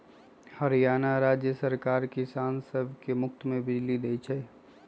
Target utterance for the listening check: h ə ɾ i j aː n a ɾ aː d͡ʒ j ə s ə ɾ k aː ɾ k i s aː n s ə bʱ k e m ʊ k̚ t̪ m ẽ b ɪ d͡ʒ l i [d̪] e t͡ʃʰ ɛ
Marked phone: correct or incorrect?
correct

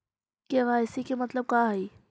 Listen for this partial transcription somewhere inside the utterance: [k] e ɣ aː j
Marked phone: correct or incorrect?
correct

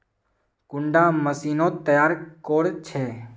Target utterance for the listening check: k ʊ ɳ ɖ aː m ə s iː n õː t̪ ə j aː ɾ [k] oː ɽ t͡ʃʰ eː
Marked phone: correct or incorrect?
correct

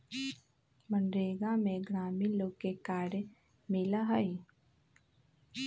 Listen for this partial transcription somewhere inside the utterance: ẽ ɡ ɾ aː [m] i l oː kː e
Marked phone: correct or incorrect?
correct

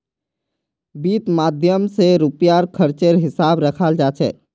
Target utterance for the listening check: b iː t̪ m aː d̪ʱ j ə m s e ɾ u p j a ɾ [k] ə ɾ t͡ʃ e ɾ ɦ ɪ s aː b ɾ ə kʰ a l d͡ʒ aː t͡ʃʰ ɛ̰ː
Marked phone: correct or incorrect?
incorrect: kʰ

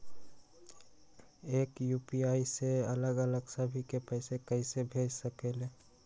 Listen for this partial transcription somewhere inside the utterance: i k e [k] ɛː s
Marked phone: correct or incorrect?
incorrect: p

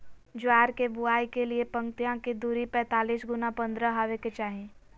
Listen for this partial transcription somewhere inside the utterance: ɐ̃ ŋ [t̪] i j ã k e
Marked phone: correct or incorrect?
correct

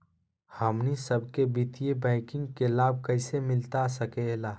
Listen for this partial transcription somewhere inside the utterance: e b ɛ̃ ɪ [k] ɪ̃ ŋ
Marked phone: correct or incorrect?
correct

